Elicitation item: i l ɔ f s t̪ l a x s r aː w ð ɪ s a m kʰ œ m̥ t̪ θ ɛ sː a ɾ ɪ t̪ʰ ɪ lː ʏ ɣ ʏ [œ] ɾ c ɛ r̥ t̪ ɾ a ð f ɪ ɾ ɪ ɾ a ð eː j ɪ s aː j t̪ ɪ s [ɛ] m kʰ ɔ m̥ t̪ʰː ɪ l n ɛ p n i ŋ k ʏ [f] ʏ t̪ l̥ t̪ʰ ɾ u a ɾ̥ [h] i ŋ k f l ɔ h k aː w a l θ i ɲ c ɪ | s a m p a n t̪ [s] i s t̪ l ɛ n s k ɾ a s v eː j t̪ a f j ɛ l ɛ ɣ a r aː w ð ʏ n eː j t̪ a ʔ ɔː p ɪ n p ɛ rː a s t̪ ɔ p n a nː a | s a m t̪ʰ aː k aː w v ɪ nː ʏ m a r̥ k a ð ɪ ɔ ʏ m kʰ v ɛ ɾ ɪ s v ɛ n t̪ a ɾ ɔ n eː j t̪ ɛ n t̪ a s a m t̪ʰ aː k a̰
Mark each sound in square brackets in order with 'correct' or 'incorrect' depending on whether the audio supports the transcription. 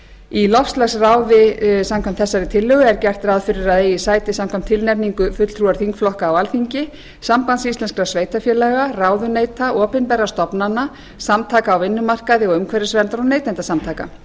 incorrect: ɛ, incorrect: a, correct, incorrect: θ, correct

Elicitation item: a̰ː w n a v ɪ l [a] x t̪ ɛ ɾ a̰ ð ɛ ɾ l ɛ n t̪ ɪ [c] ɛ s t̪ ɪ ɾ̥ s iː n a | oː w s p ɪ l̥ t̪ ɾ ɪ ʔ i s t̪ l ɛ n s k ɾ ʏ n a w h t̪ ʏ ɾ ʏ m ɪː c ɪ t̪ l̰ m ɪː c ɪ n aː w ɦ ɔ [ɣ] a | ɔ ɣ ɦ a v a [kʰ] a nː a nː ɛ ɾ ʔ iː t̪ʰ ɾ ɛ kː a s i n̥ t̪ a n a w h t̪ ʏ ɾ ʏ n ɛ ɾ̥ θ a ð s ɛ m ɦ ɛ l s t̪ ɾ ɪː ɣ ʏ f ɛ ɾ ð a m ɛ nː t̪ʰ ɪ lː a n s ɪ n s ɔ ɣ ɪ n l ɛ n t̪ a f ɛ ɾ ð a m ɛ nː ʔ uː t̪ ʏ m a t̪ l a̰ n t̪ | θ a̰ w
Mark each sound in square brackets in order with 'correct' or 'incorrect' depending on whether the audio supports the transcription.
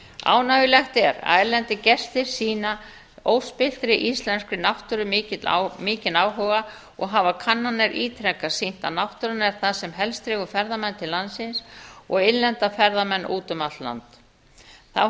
incorrect: ɛ, correct, correct, correct

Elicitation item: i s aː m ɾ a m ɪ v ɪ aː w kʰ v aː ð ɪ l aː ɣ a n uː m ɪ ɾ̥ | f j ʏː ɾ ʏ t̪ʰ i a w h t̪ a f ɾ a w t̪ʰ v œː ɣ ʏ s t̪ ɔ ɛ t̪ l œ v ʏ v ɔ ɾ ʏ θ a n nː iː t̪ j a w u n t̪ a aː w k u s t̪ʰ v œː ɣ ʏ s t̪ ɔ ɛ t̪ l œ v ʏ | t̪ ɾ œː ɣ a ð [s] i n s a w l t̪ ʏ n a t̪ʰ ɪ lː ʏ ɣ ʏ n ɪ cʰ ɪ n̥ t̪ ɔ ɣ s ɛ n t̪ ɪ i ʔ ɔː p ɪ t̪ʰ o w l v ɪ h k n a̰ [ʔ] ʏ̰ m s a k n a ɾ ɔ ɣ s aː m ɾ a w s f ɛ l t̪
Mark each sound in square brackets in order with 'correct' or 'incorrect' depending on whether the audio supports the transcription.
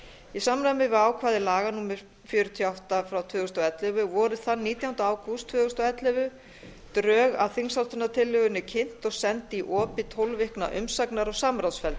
incorrect: θ, correct

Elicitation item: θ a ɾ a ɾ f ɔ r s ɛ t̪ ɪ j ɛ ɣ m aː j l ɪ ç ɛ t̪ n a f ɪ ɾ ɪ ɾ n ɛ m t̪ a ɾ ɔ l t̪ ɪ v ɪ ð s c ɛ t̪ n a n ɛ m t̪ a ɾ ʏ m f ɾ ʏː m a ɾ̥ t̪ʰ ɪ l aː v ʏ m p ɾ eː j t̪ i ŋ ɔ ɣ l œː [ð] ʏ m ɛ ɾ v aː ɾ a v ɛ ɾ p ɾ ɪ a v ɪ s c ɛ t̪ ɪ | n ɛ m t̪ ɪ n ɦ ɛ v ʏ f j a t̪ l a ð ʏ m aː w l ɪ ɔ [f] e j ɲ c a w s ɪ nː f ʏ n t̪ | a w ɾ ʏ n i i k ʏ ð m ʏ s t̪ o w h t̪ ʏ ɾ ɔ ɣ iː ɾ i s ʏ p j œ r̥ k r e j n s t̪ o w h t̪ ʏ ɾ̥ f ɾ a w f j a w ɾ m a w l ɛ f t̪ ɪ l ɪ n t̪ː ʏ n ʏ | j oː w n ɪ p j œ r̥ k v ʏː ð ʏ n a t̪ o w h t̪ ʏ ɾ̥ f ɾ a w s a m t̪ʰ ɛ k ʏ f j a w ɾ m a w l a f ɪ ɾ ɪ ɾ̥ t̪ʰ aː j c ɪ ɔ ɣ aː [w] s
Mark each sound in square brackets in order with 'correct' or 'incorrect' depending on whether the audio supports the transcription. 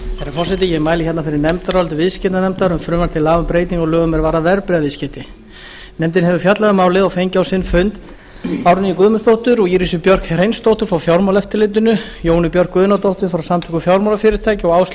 incorrect: ɣ, correct, correct

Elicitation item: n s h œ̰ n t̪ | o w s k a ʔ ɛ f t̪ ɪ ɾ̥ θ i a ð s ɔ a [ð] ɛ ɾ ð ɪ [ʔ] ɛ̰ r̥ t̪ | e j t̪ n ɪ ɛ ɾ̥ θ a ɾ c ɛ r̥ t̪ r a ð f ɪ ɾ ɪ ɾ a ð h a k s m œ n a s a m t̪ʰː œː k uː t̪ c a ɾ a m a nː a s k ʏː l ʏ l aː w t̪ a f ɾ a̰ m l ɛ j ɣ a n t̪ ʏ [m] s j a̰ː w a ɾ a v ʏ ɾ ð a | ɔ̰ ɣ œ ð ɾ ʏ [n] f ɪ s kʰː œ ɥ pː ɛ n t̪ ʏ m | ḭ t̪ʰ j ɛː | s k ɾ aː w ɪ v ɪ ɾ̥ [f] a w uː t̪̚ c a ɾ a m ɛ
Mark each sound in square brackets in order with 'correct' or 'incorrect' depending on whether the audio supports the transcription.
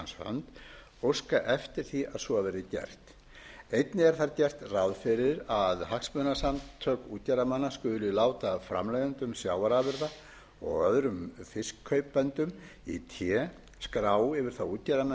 incorrect: v, incorrect: c, correct, incorrect: m, incorrect: θ

